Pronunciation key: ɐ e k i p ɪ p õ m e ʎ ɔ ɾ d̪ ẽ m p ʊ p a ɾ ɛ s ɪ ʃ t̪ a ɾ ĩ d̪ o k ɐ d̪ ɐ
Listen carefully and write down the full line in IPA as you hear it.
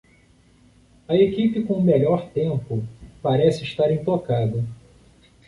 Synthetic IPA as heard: ɐ e k i p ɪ k õ m e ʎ ɔ ɾ t̪ ẽ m p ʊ p a ɾ ɛ s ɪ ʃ t̪ a ɾ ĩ t̪ o k a d̪ ɐ